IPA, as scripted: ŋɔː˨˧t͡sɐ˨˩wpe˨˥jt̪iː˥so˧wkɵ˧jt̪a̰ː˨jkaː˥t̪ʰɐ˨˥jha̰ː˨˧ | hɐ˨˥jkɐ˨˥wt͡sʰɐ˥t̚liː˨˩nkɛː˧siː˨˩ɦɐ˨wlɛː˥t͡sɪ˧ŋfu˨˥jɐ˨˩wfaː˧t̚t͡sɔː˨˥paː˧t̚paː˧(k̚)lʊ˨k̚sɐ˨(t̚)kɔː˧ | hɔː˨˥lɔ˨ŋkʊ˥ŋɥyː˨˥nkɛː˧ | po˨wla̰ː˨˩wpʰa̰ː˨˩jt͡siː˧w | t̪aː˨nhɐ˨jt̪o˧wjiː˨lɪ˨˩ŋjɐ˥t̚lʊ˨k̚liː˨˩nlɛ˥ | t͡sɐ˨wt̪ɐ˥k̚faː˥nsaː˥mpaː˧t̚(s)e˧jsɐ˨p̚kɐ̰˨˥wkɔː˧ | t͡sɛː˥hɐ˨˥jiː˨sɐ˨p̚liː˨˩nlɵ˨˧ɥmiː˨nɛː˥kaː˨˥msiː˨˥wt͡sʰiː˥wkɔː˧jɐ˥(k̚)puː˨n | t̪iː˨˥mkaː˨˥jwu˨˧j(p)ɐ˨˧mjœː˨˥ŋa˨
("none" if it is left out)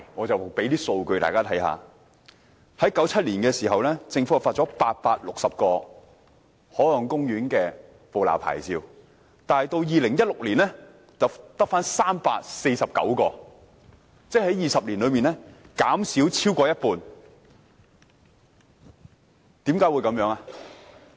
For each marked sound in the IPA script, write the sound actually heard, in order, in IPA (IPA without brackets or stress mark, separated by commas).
t̚, p̚, s, t̚, k